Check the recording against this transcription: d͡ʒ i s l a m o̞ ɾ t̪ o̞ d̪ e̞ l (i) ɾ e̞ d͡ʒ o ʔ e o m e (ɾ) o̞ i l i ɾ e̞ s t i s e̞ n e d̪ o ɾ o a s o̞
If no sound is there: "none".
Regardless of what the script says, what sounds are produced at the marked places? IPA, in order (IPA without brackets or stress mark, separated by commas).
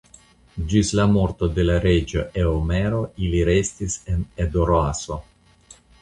a, ɾ